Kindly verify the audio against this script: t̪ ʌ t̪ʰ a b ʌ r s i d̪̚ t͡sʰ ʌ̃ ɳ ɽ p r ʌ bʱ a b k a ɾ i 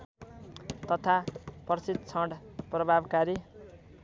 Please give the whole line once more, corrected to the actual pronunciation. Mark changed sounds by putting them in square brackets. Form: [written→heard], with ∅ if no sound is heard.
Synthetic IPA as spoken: t̪ ʌ t̪ʰ a [b→p] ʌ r s i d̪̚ t͡sʰ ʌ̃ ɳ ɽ p r ʌ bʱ a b k a ɾ i